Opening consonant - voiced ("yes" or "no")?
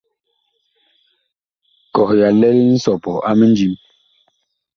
no